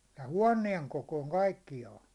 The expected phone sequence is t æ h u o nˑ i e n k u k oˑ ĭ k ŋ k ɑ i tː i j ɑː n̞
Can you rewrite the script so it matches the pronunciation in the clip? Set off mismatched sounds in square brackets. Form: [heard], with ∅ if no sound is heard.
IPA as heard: t æ h u [ɒ] nˑ i e [ŋ] k [o] k oˑ ĭ [∅] ŋ k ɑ i [kː] i j ɑː n̞